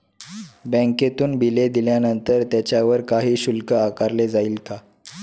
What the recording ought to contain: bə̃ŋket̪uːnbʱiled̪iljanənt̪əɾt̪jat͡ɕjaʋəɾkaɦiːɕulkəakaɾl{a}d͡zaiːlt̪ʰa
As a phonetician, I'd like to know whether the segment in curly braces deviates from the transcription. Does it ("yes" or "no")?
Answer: yes